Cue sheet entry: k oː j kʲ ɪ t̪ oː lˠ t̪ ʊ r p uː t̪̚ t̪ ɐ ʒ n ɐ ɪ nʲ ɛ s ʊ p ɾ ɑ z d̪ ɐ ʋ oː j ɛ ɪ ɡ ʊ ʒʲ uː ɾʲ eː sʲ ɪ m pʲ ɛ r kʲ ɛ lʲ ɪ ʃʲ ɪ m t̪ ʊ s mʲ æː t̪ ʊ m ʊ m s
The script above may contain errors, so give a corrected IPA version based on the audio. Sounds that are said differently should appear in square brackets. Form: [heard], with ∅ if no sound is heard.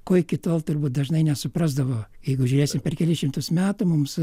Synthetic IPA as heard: k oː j kʲ ɪ t̪ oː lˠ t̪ ʊ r [b] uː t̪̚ [d̪] ɐ ʒ n ɐ ɪ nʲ ɛ s ʊ p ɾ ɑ z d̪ ɐ ʋ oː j ɛ ɪ ɡ ʊ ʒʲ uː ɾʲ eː sʲ ɪ m pʲ ɛ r kʲ ɛ lʲ ɪ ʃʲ ɪ m t̪ ʊ s mʲ æː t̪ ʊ m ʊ m s